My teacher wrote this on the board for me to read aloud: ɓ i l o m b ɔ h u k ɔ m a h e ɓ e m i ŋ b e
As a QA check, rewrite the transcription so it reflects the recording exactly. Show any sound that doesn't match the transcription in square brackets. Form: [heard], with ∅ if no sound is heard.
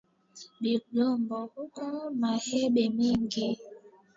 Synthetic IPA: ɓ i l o m b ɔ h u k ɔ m a h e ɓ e m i ŋ [ɡ] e